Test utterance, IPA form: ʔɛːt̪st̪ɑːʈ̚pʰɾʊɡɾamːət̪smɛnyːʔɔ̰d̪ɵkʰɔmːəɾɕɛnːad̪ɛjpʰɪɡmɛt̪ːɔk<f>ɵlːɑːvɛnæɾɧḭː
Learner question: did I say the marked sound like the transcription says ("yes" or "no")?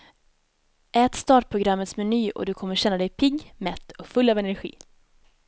yes